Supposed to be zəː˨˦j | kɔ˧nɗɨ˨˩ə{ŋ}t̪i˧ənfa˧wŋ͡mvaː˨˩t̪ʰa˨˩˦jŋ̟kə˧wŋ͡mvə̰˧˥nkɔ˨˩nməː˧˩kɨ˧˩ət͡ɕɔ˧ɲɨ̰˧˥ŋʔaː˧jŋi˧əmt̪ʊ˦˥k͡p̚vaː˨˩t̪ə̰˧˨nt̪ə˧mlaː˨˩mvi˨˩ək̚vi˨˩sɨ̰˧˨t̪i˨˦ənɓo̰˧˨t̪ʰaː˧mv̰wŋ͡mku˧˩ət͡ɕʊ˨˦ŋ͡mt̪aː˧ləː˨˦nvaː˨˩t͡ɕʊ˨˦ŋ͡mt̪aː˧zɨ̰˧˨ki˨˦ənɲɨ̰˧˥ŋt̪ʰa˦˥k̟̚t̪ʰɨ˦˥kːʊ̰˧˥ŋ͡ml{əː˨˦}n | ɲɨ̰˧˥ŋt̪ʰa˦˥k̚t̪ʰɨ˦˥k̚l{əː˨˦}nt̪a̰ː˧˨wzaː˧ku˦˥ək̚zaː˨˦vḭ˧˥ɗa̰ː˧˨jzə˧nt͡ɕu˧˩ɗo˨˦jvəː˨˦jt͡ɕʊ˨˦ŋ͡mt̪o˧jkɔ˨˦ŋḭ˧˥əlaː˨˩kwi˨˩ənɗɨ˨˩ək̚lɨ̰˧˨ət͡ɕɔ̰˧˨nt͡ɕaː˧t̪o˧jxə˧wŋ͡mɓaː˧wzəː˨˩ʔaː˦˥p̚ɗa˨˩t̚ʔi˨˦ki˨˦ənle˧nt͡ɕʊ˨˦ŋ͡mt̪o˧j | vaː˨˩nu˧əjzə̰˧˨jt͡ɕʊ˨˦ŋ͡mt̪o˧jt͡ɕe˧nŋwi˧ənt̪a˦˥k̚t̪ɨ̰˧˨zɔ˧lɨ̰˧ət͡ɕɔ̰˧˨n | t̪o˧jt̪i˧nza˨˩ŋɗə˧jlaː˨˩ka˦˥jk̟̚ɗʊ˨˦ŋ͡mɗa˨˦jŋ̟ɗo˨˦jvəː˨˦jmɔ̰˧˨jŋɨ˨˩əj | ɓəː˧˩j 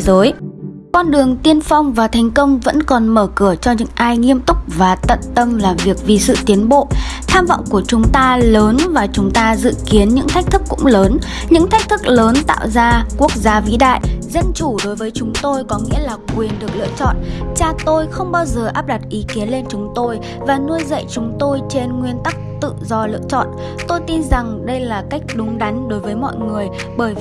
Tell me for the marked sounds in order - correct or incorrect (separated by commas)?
correct, correct, correct